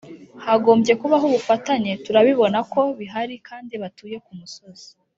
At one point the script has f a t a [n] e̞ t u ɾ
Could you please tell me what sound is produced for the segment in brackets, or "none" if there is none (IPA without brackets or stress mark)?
ɲ